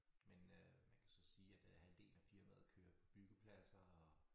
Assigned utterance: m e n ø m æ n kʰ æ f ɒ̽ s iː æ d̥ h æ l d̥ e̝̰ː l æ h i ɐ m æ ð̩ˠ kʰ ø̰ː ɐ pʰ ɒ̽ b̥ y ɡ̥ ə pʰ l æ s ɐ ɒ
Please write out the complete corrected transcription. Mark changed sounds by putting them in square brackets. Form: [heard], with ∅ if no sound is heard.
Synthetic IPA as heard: m e n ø m æ n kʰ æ [s] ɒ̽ s iː æ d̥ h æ l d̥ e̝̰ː l æ [f] i ɐ m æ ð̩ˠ kʰ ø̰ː ɐ pʰ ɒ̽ b̥ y ɡ̥ ə pʰ l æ s ɐ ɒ